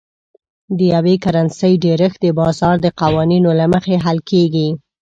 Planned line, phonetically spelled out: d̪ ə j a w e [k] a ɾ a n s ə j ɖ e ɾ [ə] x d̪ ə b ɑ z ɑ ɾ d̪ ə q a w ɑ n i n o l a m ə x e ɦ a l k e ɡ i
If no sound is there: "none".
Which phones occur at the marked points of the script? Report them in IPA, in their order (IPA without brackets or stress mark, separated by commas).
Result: k, ə